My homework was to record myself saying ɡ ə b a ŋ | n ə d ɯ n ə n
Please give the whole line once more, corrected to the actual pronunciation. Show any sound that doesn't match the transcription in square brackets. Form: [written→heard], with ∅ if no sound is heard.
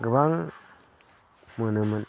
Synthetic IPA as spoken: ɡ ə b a ŋ | [n→m] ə [d→n] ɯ [n→m] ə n

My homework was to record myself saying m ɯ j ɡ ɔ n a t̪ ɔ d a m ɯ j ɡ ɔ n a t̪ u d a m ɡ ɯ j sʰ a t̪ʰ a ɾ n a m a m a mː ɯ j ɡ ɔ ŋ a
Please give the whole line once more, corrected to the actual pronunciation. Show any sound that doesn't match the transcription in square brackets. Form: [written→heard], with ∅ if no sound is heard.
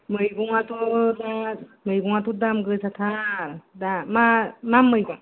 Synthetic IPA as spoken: m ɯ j ɡ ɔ [n→ŋ] a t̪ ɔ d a m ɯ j ɡ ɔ [n→ŋ] a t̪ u d a m ɡ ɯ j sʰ a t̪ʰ a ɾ [n→d] a m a m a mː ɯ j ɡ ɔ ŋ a

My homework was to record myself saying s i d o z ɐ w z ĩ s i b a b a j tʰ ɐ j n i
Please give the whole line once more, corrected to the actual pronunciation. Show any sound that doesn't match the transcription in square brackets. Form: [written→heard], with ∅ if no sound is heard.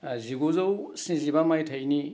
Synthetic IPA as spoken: [s→z] i [d→ɡ] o z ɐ w [z→s] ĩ [s→z] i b a [b→m] a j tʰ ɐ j n i

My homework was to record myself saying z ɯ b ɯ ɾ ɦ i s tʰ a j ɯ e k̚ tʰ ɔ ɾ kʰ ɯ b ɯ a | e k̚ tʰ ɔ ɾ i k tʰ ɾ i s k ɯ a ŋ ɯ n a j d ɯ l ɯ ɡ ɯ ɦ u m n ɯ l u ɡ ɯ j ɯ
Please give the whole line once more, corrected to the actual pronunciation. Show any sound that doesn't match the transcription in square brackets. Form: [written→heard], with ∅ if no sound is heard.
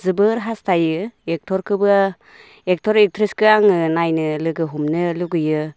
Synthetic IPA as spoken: z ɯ b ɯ ɾ ɦ [i→a] s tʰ a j ɯ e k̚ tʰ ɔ ɾ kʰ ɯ b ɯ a | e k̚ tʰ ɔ ɾ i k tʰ ɾ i s k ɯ a ŋ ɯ n a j [d→n] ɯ l ɯ ɡ ɯ ɦ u m n ɯ l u ɡ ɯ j ɯ

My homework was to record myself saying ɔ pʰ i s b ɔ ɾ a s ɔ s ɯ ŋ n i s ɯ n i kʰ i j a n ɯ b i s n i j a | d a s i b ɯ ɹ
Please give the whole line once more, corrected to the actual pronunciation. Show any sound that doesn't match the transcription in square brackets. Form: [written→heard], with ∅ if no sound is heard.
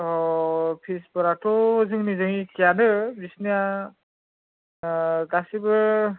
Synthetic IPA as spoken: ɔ pʰ i s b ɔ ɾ a [s→t] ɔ [s→z] ɯ ŋ n i [s→z] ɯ [n→ŋ] i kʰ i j a n ɯ b i s n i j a | [d→ɡ] a s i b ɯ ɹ

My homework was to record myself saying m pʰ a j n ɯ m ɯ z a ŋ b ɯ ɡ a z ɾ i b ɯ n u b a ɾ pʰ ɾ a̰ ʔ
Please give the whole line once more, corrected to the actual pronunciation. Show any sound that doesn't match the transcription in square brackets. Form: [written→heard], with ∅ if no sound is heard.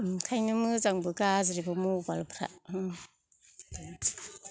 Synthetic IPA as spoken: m [pʰ→kʰ] a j n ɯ m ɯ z a ŋ b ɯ ɡ a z ɾ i b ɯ [n→m] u b a [ɾ→l] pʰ ɾ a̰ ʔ

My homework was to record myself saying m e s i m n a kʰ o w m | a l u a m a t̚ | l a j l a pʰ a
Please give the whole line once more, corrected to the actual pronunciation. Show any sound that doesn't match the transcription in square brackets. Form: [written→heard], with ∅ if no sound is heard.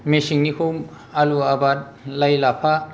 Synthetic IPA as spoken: m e s i [m→ŋ] n [a→i] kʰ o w m | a l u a [m→b] a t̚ | l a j l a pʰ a

